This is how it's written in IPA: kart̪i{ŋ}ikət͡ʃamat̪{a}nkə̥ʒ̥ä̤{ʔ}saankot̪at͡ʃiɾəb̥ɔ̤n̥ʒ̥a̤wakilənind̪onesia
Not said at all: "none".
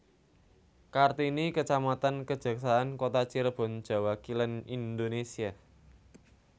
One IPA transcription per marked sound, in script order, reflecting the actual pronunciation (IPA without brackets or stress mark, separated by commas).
n, a, k